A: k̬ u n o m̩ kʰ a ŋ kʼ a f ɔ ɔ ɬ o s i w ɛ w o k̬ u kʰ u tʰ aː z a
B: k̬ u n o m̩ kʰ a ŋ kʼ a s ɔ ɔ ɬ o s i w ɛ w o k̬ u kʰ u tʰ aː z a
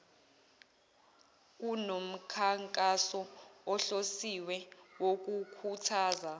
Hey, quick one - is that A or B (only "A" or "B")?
B